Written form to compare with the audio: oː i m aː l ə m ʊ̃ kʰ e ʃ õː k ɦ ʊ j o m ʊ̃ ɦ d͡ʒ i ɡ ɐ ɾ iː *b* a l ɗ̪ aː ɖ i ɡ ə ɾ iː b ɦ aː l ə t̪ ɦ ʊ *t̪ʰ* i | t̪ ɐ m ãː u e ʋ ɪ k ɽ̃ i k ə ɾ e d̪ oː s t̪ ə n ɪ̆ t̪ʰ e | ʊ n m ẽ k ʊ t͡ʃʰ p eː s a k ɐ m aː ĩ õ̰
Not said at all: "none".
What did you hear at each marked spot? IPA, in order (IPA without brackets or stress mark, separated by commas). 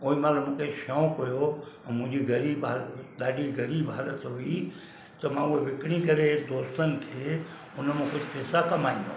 b, none